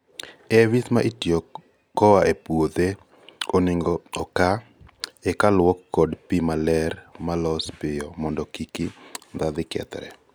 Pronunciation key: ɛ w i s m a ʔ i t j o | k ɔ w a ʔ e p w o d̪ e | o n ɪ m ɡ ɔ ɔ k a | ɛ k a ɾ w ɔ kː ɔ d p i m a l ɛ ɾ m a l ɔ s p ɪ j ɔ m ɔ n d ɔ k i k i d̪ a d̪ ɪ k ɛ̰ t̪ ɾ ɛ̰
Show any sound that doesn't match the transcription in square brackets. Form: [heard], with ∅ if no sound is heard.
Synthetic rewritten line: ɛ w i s m a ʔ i t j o | k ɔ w a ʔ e p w o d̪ e | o n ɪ [ŋ] ɡ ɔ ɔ k a | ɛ k a [l] w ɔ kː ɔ d p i m a l ɛ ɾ m a l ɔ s p ɪ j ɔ m ɔ n d ɔ k i k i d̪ a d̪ ɪ k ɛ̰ t̪ ɾ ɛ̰